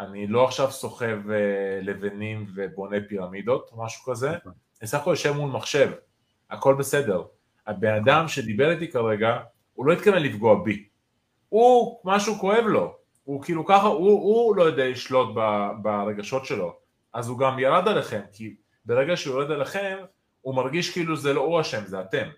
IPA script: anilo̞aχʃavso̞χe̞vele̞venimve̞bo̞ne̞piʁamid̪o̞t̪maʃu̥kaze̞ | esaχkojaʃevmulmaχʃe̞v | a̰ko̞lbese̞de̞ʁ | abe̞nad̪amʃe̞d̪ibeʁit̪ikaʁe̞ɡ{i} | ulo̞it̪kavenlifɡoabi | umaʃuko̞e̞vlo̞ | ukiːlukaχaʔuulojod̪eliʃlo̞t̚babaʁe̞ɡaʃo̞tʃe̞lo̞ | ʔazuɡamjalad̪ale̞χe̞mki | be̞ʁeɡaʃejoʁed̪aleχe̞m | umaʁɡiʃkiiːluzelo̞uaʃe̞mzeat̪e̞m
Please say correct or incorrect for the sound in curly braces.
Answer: incorrect